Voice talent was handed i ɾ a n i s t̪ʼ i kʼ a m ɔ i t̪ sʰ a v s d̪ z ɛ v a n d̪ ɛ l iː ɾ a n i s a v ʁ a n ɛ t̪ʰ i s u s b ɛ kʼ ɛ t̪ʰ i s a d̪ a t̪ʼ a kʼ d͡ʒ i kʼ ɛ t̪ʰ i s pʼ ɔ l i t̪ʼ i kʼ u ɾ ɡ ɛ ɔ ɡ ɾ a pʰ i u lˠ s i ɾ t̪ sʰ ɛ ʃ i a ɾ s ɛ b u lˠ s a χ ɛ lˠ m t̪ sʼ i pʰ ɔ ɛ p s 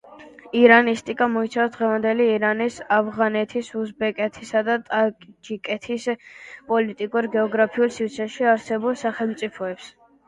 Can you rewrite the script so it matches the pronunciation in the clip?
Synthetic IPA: i ɾ a n i s t̪ʼ i kʼ a m ɔ i t̪ sʰ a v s d̪ ʁ ɛ v a n d̪ ɛ l iː ɾ a n i s a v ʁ a n ɛ t̪ʰ i s u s b ɛ kʼ ɛ t̪ʰ i s a d̪ a t̪ʼ a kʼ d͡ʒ i kʼ ɛ t̪ʰ i s pʼ ɔ l i t̪ʼ i kʼ u ɾ ɡ ɛ ɔ ɡ ɾ a pʰ i u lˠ s i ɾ t̪ sʰ ɛ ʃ i a ɾ s ɛ b u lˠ s a χ ɛ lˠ m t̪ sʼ i pʰ ɔ ɛ p s